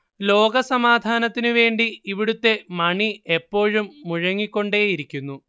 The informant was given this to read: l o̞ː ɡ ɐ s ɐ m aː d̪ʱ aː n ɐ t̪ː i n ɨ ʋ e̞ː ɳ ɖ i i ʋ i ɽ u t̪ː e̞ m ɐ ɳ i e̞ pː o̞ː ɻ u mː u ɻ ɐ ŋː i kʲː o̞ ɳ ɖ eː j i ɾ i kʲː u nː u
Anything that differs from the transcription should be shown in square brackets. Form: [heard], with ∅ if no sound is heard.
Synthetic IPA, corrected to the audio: l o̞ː ɡ ɐ s ɐ m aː d̪ʱ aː n ɐ t̪ː i n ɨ ʋ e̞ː ɳ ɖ i i ʋ i ɽ u t̪ː e̞ m ɐ ɳ i e̞ pː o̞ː ɻ u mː u ɻ ɐ ŋː i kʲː o̞ ɳ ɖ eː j i ɾ i kʲː u nː u